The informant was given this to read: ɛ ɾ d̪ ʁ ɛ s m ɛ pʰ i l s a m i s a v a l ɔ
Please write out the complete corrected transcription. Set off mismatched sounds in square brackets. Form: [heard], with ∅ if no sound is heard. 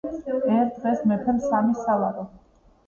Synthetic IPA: ɛ ɾ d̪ ʁ ɛ s m ɛ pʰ [ɛ] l s a m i s a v a [ɾ] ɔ